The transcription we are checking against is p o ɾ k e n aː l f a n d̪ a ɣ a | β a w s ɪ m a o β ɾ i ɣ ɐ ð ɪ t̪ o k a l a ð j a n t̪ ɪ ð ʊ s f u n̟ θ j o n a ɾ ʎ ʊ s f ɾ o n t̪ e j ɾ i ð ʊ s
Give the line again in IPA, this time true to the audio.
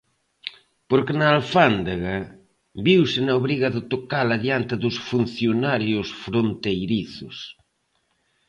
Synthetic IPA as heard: p o ɾ k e n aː l f a n d̪ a ɣ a | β i w s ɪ n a o β ɾ i ɣ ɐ ð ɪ t̪ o k a l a ð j a n t̪ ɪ ð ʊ s f u n̟ θ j o n a ɾ j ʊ s f ɾ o n t̪ e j ɾ i θ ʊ s